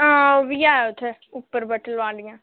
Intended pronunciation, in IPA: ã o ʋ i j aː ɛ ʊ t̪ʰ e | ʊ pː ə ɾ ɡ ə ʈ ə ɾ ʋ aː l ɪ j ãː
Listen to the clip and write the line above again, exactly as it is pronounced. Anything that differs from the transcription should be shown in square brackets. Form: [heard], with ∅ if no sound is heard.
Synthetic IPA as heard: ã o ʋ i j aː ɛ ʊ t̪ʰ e | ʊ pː ə ɾ [b] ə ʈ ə [l] ʋ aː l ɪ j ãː